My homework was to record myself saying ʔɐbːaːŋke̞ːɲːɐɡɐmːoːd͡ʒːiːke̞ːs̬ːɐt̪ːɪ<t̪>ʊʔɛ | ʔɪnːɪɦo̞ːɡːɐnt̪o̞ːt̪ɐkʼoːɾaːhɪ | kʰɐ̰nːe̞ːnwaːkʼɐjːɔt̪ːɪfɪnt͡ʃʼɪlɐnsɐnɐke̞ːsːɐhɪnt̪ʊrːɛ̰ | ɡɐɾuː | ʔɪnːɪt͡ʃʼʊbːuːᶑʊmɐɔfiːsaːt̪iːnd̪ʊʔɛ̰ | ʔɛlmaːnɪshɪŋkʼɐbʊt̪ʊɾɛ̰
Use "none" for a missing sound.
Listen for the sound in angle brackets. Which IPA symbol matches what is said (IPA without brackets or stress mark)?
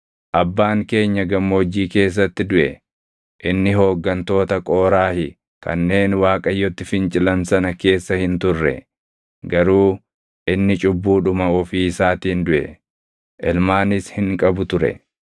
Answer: d̪